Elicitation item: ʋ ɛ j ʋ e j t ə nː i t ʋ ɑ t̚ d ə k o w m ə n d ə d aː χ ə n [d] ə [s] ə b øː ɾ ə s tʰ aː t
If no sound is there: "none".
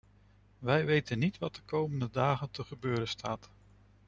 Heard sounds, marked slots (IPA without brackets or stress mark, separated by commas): t, χ